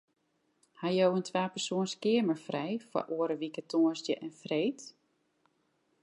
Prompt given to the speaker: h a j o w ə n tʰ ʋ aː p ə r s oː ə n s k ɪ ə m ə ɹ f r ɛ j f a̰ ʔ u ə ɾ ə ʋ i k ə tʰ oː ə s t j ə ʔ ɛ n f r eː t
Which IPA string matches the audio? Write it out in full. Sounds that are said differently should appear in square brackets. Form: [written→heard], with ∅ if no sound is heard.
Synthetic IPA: h a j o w ə n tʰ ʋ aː p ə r s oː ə n s k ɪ ə m ə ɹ f r ɛ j f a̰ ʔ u ə ɾ ə ʋ i k ə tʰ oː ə s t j ə ʔ ɛ n f r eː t

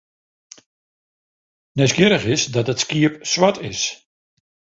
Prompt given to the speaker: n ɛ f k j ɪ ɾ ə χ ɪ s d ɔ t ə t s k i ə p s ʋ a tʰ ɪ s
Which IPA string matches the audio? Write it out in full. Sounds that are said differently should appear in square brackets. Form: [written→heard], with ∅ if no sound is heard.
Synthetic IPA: n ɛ [f→s] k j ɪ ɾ ə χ ɪ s d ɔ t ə t s k i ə p s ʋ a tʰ ɪ s

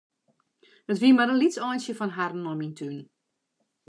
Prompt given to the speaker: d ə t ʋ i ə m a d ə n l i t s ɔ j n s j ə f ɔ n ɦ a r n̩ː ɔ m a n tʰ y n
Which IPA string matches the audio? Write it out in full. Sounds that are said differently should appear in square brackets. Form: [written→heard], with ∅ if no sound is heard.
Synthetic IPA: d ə t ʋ i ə m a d ə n l i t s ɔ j n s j ə f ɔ n ɦ a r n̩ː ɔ m [a→i] n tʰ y n

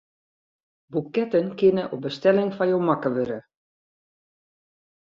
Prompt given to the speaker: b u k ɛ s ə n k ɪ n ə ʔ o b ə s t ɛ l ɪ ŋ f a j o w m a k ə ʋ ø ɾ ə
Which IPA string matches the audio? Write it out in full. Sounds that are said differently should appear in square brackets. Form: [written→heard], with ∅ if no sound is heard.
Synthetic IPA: b u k ɛ [s→t] ə n k ɪ n ə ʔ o b ə s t ɛ l ɪ ŋ f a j o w m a k ə ʋ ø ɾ ə

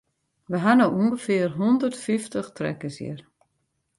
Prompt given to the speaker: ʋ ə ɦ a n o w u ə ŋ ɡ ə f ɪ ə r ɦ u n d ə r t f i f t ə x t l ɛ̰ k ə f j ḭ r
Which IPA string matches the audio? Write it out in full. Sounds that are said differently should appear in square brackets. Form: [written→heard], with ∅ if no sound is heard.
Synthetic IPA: ʋ ə ɦ a n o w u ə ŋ ɡ ə f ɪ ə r ɦ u n d ə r t f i f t ə x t [l→r] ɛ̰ k ə [f→s] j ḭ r

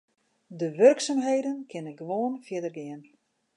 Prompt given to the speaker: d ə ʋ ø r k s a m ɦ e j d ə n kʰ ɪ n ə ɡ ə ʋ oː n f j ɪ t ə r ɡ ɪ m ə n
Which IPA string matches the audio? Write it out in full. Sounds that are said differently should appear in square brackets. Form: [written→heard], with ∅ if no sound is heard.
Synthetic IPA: d ə ʋ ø r k s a m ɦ e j d ə n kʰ ɪ n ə ɡ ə ʋ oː n f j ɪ [t→d] ə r ɡ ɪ [m→∅] ə n

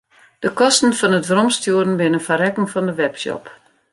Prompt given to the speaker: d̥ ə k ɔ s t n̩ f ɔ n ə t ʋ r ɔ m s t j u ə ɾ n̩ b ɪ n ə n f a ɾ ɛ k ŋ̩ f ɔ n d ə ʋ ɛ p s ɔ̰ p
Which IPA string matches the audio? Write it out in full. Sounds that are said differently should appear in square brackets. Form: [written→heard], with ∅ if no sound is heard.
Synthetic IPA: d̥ ə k ɔ s t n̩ f ɔ n ə t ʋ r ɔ m s t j u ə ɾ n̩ b ɪ n ə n f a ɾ ɛ k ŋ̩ f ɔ n d ə ʋ ɛ p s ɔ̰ p

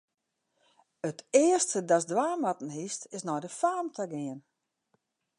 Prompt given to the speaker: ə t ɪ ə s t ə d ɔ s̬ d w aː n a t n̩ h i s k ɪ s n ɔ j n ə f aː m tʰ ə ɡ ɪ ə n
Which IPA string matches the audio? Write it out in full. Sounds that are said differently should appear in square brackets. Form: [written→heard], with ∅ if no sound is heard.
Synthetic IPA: ə t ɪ ə s t ə d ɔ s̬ d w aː [n→m] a t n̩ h i s [k→t] ɪ s n ɔ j [n→d] ə f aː m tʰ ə ɡ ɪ ə n

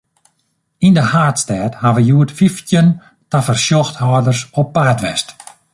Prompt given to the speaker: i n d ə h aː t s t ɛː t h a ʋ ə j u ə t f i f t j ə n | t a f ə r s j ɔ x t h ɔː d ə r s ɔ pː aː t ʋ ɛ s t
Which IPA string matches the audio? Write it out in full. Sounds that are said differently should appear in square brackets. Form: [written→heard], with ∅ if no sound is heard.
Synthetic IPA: i n d ə h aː t s t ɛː t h a ʋ ə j u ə t f i f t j ə n | t a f ə r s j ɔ x t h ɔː d ə r s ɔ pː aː t ʋ ɛ s t

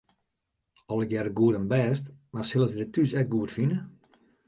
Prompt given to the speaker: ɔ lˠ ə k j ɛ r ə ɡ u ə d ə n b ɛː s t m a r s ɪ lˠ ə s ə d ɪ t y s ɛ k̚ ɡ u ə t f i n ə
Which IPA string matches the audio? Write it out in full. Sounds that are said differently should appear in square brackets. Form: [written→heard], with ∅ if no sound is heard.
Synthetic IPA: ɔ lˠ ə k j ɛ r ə ɡ u ə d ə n b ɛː s t m a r s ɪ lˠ ə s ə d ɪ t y s ɛ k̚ ɡ u ə t f i n ə

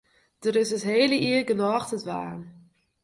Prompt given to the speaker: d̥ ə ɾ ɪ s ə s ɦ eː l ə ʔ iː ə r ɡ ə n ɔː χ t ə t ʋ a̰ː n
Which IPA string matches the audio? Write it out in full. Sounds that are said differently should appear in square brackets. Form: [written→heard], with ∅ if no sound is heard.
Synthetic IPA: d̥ ə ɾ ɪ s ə s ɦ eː l ə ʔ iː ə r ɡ ə n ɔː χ t ə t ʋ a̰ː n

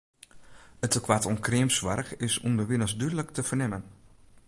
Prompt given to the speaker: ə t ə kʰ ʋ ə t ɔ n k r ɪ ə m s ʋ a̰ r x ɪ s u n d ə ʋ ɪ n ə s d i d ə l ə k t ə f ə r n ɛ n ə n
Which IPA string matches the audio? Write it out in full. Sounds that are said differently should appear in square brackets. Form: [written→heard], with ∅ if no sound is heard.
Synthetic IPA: ə t ə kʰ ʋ [ə→a] t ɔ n k r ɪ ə m s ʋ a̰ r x ɪ s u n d ə ʋ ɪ n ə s d [i→y] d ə l ə k t ə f ə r n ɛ [n→m] ə n

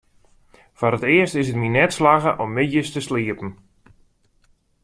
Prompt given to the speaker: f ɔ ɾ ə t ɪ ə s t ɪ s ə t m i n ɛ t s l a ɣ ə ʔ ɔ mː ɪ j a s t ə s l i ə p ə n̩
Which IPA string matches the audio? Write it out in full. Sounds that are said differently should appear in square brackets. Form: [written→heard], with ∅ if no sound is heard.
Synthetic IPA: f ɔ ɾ ə t ɪ ə s t ɪ s ə t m i n ɛ t s l a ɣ ə ʔ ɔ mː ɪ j [a→ə] s t ə s l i ə p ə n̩

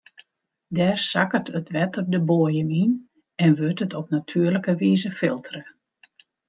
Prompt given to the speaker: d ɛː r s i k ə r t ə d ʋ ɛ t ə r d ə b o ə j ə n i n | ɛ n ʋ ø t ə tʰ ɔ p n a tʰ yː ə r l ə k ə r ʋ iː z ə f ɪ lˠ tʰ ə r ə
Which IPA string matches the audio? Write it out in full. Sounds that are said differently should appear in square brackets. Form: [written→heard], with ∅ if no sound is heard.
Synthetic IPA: d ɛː r s [i→a] k ə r t ə [d→t] ʋ ɛ t ə r d ə b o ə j ə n i n | ɛ n ʋ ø t ə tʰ ɔ p n a tʰ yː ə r l ə k ə [r→∅] ʋ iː z ə f ɪ lˠ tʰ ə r ə

